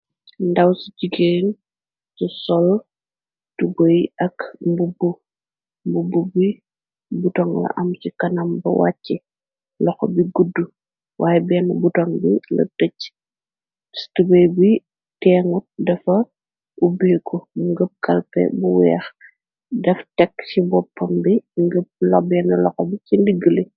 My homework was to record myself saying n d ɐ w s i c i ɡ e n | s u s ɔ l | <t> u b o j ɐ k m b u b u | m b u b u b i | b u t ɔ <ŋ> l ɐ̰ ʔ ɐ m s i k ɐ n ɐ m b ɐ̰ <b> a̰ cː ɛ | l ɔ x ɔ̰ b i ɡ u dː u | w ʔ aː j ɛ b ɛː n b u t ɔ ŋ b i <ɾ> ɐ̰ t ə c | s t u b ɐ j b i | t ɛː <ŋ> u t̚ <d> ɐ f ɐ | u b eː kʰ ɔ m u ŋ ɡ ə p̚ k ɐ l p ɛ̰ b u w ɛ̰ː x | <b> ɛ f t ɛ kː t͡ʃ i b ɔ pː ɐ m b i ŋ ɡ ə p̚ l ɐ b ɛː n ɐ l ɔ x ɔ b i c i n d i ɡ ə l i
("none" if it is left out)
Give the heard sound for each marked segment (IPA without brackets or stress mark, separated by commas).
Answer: t, ŋ, w, l, ŋ, d, d